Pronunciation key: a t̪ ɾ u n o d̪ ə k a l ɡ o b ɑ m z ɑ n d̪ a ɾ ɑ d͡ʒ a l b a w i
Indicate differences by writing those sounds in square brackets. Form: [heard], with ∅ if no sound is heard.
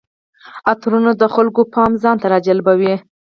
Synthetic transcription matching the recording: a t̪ ɾ u n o d̪ ə [x] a l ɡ o [p] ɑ m z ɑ n [t̪] a ɾ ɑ d͡ʒ a l b a w i